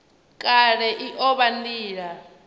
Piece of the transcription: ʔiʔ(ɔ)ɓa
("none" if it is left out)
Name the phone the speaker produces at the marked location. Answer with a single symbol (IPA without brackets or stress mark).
ɔ